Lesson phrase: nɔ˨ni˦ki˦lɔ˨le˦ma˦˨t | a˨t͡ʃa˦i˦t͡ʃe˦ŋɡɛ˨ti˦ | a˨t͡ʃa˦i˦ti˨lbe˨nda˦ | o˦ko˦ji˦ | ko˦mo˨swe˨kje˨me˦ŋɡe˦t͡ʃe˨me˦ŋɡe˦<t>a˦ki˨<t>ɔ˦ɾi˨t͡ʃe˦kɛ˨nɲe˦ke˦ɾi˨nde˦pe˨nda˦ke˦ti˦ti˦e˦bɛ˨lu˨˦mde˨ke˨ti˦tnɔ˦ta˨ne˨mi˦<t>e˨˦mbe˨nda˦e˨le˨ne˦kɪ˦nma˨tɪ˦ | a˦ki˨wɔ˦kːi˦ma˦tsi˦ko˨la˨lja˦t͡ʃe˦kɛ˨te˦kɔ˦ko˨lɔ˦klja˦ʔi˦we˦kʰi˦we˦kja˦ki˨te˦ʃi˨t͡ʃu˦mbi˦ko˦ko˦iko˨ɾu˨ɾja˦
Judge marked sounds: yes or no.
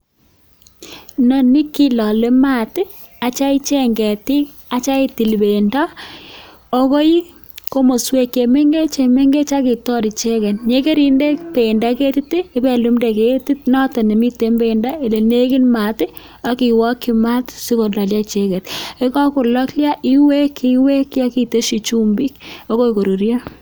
no, yes, yes

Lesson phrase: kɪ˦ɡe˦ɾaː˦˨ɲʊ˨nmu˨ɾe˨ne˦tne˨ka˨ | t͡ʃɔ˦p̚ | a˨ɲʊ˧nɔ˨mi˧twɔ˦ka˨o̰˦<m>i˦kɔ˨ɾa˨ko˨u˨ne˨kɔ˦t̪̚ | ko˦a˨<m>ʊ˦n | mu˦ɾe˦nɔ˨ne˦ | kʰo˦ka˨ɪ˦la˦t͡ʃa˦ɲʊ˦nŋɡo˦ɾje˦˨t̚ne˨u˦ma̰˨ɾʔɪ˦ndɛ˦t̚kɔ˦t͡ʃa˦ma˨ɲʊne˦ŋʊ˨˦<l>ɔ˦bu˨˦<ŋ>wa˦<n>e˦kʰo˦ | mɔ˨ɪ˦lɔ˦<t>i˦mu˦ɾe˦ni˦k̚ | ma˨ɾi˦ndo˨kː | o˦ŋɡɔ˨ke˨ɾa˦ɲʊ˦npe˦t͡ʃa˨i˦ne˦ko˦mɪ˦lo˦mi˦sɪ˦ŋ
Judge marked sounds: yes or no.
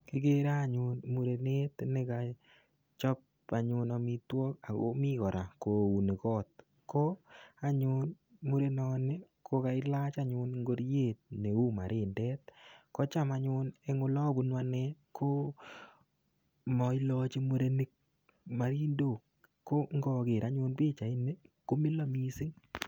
yes, no, yes, no, yes, no

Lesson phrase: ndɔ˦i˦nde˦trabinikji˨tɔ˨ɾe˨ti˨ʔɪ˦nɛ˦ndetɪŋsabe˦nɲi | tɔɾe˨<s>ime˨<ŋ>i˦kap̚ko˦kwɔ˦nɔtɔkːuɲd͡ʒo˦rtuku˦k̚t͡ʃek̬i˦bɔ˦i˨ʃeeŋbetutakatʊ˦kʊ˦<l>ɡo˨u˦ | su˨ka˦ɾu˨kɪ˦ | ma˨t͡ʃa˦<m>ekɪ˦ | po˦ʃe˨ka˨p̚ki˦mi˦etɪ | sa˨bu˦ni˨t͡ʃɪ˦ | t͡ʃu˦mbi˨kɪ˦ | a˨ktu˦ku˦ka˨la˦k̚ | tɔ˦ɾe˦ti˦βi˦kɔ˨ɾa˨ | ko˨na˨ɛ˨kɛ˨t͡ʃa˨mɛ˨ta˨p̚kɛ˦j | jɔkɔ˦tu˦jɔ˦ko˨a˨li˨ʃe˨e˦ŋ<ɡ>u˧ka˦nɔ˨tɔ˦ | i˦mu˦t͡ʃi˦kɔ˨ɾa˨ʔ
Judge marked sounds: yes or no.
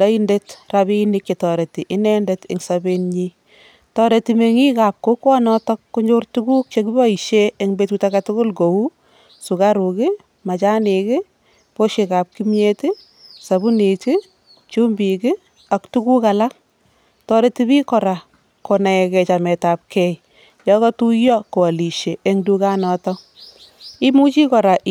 no, yes, yes, no, no

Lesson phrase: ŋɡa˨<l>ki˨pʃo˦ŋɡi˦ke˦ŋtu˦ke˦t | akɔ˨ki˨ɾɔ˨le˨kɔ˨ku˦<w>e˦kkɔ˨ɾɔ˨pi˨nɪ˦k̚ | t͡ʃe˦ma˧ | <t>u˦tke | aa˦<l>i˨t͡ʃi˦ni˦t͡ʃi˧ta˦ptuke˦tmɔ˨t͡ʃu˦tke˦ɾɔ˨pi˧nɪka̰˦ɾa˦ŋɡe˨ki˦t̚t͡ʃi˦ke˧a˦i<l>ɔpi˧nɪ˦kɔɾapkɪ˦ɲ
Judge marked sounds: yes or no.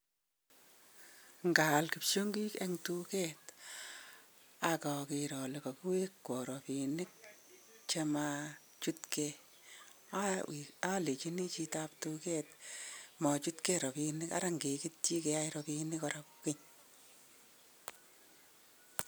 yes, yes, no, yes, no

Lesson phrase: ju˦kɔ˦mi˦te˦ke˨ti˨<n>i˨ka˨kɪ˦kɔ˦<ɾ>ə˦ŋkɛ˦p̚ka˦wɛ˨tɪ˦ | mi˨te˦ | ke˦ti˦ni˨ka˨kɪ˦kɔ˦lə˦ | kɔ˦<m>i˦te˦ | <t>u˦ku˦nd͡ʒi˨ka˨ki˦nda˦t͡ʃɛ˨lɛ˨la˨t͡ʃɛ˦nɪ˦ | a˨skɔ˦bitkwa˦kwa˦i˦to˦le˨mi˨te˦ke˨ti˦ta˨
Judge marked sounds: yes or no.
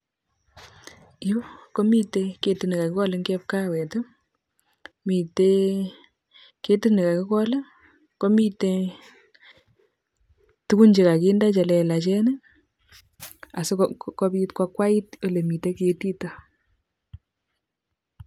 yes, no, yes, yes

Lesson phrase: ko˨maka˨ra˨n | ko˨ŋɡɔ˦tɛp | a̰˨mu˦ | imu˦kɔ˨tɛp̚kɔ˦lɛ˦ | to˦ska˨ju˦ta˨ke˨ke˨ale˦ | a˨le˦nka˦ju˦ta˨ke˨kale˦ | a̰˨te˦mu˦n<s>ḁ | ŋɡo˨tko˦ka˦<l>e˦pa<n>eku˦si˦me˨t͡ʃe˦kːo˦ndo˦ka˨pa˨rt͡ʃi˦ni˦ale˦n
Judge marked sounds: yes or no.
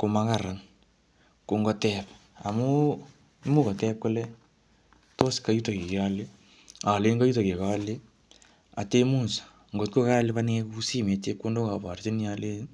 yes, yes, yes

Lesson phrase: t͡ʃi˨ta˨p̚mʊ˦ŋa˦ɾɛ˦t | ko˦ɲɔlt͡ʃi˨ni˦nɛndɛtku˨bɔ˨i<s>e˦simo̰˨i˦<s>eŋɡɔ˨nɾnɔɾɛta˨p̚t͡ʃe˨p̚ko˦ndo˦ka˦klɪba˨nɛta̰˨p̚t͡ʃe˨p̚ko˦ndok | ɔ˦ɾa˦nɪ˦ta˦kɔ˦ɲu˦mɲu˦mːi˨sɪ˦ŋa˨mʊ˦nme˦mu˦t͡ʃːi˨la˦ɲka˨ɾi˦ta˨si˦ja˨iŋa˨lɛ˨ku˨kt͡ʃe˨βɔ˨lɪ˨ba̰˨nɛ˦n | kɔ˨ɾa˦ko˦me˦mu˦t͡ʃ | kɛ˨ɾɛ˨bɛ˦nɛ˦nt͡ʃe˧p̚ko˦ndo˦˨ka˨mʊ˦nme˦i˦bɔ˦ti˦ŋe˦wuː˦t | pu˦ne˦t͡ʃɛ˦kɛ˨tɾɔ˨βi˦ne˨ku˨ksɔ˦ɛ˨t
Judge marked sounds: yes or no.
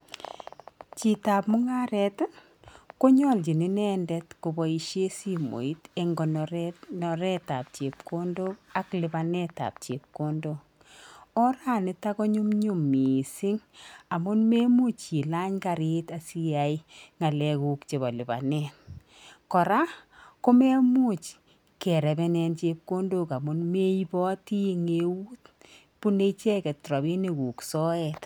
no, no

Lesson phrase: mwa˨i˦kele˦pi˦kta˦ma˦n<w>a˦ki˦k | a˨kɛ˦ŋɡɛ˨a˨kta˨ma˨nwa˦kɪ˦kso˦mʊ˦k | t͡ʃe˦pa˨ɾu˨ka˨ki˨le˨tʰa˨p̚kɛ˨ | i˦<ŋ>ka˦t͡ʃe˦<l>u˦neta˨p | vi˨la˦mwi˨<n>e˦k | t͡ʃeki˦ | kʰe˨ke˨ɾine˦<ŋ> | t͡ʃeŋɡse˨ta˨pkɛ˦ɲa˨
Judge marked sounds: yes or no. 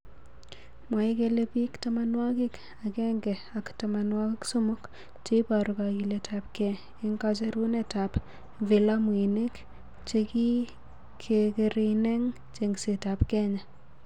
yes, yes, no, yes, yes

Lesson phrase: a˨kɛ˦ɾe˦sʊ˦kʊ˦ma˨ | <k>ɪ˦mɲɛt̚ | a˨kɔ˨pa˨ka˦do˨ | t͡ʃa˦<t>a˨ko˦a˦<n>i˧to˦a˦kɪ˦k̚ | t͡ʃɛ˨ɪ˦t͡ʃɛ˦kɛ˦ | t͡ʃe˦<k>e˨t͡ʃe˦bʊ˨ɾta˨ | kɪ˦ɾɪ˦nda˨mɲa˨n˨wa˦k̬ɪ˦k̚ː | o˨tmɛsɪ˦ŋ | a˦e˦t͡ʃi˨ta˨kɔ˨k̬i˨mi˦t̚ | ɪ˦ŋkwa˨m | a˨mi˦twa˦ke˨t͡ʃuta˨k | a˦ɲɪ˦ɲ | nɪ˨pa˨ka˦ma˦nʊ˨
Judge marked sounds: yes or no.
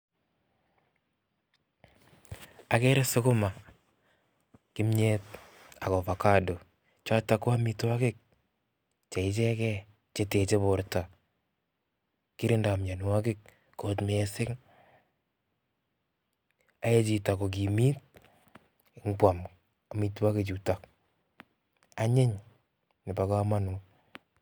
yes, yes, no, no

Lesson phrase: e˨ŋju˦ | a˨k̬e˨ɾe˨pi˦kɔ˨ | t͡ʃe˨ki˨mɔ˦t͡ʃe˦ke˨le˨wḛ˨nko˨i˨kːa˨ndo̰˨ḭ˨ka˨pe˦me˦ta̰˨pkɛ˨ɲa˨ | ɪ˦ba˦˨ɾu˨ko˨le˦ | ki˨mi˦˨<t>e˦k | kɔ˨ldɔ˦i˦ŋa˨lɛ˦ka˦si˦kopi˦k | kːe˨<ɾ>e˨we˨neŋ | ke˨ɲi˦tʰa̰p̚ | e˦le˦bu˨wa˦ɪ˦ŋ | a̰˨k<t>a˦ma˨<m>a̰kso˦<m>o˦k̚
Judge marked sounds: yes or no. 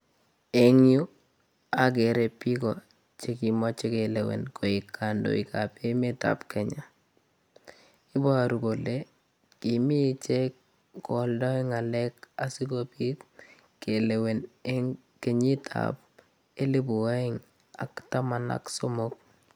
no, no, yes, no, yes

